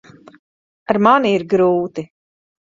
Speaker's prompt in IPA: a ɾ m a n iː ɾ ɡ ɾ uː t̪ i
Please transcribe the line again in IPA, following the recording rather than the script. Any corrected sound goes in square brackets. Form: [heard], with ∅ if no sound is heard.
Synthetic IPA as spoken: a ɾ m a n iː ɾ ɡ ɾ uː t̪ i